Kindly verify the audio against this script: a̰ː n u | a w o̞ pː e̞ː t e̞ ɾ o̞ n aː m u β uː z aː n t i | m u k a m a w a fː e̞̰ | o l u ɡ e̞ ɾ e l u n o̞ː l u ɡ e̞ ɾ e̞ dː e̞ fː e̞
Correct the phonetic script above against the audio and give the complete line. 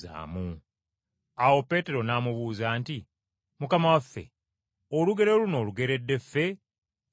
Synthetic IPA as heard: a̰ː m u | a w o̞ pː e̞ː t e̞ ɾ o̞ n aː m u β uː z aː n t i | m u k a m a w a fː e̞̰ | o l u ɡ e̞ ɾ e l u n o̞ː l u ɡ e̞ ɾ e̞ dː e̞ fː e̞